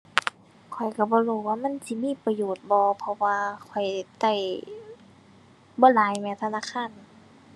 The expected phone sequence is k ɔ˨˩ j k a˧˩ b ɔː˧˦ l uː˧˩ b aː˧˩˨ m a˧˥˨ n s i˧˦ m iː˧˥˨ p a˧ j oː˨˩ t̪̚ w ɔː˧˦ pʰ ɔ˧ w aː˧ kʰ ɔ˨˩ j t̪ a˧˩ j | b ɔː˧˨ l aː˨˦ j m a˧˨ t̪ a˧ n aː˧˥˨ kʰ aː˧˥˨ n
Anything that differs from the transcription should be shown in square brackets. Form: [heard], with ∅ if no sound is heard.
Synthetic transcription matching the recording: [kʰ] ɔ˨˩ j k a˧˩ b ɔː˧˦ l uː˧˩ [w] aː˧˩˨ m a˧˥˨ n s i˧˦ m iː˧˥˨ p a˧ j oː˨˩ t̪̚ [b] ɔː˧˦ pʰ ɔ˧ w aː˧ kʰ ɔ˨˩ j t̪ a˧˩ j | b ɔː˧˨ l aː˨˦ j m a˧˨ [t̪ʰ] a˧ n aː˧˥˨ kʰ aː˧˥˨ n